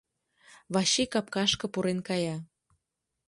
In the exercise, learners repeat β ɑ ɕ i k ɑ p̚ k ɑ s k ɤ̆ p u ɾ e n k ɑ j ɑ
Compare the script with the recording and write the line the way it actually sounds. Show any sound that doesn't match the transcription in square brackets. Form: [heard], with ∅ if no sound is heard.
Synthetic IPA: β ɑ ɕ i k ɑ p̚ k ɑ [ʃ] k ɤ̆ p u ɾ e n k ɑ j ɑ